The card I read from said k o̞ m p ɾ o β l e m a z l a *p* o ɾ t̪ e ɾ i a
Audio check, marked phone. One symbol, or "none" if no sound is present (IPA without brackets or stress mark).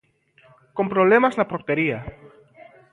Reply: p